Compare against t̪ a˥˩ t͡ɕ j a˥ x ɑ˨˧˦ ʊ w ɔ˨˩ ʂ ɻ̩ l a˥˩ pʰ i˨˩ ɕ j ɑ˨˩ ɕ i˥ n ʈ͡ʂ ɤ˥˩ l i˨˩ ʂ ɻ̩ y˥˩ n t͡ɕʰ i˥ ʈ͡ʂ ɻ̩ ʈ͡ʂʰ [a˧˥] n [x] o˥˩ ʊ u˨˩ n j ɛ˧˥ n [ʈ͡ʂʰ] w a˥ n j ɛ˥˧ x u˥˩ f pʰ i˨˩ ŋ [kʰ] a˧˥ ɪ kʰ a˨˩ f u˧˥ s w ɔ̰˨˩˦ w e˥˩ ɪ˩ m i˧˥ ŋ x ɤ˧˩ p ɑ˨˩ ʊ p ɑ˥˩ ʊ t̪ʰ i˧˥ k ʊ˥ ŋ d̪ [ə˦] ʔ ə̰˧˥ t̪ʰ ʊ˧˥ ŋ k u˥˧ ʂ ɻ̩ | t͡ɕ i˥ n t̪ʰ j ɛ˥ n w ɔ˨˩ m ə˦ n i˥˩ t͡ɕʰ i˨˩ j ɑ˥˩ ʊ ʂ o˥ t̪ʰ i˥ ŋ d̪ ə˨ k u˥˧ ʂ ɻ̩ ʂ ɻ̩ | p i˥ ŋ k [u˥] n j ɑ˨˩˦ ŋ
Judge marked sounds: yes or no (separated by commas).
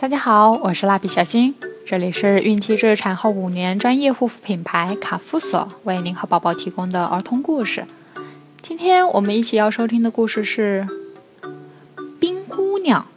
no, yes, no, no, no, yes